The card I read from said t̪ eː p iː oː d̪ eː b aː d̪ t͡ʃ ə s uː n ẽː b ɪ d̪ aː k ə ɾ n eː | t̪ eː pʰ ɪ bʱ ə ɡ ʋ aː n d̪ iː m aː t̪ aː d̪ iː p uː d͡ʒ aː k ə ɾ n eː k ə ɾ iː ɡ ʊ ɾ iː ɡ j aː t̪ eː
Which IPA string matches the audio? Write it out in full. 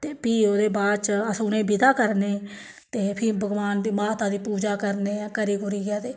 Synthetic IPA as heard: t̪ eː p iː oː d̪ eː b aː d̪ t͡ʃ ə s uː n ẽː b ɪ d̪ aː k ə ɾ n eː | t̪ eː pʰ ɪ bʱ ə ɡ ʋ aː n d̪ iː m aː t̪ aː d̪ iː p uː d͡ʒ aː k ə ɾ n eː k ə ɾ iː ɡ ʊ ɾ iː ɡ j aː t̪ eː